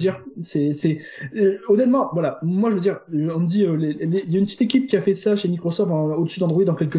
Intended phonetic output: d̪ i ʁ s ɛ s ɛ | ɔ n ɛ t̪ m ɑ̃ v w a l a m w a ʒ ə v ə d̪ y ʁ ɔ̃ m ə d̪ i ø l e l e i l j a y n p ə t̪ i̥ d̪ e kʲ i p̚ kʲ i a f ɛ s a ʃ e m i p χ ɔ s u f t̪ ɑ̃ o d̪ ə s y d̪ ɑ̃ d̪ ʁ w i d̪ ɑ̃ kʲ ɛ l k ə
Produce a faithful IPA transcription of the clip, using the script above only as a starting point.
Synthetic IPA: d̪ i ʁ s ɛ s ɛ | ɔ n ɛ t̪ m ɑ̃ v w a l a m w a ʒ ə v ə d̪ i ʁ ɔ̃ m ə d̪ i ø l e l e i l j a y n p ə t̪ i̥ t̪ e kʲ i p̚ kʲ i a f ɛ s a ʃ e m i k χ ɔ s ɔ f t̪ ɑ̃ o d̪ ə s y d̪ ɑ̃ d̪ ʁ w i d̪ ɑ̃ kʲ ɛ l k ə